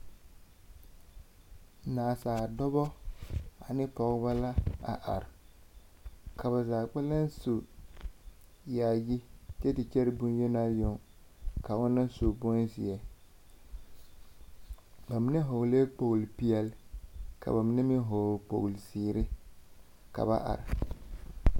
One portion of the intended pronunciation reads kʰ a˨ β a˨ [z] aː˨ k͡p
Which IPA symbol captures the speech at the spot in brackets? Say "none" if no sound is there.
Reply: z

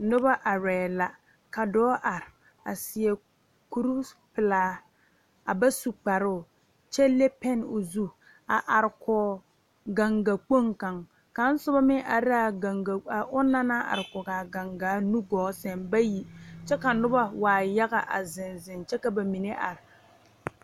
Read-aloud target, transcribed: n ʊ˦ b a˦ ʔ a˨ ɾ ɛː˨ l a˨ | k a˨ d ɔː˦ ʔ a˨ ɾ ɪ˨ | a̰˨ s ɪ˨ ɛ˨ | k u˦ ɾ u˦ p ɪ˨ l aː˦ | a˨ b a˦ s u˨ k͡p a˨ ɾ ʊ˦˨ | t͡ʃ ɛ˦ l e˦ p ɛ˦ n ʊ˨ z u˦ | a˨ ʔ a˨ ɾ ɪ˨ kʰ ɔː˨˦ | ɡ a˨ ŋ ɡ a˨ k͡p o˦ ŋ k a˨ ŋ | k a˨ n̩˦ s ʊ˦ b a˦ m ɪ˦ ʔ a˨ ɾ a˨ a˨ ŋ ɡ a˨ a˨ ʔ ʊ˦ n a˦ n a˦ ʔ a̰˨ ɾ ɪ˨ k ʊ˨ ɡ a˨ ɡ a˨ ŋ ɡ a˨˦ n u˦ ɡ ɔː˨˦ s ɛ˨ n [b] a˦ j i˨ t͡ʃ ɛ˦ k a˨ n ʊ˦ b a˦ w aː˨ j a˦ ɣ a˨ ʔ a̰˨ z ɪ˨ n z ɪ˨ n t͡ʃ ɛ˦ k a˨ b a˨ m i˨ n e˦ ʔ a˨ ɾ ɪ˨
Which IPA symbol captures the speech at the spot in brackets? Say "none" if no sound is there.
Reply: b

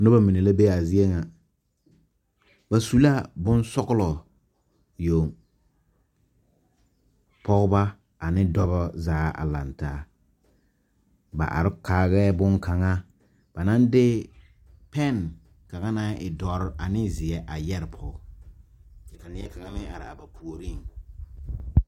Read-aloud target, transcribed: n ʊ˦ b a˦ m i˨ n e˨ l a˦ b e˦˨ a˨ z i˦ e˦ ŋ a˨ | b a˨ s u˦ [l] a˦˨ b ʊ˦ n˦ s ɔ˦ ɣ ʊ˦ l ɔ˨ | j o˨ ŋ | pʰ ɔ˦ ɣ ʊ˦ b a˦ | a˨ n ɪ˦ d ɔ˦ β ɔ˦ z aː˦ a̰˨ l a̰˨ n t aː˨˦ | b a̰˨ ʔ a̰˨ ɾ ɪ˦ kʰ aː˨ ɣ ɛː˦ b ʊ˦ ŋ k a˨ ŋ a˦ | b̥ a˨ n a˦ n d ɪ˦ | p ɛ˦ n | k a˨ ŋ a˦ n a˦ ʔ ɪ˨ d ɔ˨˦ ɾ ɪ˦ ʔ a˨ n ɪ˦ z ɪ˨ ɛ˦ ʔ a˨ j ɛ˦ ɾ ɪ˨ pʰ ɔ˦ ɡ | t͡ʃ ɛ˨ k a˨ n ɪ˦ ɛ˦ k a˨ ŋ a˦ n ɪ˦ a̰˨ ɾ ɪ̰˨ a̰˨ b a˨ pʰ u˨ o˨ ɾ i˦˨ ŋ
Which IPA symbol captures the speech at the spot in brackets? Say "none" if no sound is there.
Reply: l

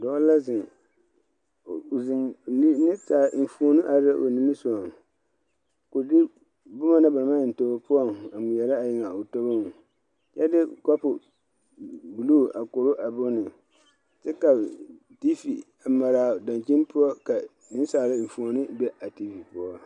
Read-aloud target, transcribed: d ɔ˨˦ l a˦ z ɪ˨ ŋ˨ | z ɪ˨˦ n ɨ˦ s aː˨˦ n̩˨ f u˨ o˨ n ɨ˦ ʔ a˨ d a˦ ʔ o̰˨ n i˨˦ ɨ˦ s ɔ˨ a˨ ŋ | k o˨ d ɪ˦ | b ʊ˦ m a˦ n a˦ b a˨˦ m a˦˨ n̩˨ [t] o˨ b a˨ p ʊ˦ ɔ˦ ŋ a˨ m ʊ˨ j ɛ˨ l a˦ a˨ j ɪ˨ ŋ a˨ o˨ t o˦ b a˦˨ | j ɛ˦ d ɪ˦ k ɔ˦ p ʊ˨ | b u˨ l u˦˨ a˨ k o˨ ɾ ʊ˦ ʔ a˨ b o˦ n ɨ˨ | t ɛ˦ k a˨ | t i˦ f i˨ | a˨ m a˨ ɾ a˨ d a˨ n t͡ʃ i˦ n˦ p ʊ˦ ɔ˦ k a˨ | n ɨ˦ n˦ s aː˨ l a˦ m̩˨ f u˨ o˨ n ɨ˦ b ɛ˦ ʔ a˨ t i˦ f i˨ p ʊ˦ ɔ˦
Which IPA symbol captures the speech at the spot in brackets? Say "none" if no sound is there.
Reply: t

